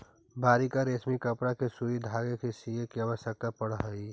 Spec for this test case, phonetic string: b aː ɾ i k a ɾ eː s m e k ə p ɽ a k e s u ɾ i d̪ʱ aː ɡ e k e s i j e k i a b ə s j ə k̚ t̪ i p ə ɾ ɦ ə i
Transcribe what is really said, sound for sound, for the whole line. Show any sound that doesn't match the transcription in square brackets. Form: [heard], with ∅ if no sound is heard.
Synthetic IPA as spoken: b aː ɾ i k a ɾ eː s m [i] k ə p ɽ a k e s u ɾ i d̪ʱ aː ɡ e k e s i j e k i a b ə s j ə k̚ t̪ [a] p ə [ɽ] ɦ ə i